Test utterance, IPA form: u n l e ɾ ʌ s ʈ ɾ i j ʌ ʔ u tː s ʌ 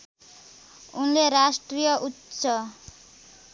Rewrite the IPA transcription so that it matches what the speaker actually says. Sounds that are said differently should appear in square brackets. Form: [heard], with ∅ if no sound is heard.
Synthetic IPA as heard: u n l e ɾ [a] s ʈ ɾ i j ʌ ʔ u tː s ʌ